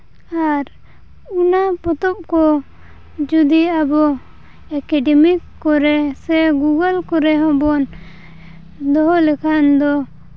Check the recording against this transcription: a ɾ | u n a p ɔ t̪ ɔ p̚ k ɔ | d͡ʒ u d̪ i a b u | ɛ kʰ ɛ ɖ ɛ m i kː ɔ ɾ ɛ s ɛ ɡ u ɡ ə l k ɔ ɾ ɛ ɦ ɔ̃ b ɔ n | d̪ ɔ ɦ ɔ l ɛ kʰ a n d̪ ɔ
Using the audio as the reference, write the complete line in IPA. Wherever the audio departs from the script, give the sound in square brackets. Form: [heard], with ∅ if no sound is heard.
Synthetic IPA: a ɾ | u n a p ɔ t̪ ɔ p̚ k ɔ | d͡ʒ u d̪ i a b [ɔ] | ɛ [k] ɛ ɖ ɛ m i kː ɔ ɾ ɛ s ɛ ɡ u ɡ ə l k ɔ ɾ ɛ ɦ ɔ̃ b ɔ n | d̪ ɔ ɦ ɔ l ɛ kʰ a n d̪ ɔ